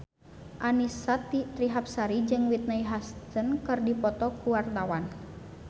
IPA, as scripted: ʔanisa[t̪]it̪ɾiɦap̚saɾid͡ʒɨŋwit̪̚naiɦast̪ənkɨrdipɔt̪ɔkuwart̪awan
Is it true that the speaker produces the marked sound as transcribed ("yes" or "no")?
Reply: yes